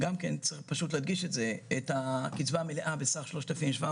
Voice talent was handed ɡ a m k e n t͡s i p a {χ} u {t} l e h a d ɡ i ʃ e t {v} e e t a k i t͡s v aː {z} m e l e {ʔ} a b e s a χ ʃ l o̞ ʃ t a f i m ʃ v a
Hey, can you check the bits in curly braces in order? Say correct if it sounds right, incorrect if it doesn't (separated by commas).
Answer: incorrect, correct, incorrect, incorrect, correct